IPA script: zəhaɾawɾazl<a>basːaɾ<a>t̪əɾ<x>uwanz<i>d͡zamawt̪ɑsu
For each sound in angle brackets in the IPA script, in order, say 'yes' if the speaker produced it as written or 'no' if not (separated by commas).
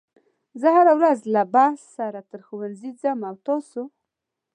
yes, yes, yes, yes